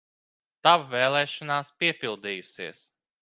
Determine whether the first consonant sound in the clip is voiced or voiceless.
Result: voiceless